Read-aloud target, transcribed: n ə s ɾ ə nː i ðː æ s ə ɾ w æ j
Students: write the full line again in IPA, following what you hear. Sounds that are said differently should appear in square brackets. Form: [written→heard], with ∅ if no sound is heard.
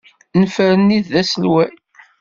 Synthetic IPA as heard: n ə [s→f] ɾ ə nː i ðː æ s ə [ɾ→l] w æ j